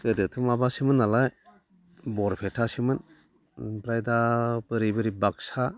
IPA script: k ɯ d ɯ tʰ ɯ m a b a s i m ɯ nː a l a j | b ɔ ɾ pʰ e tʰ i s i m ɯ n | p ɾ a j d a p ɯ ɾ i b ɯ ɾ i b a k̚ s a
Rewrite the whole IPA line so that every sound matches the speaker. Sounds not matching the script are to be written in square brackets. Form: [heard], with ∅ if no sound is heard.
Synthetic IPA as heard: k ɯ d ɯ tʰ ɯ m a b a s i m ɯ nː a l a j | b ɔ ɾ pʰ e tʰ [a] s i m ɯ n | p ɾ a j d a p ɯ ɾ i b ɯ ɾ i b a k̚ s a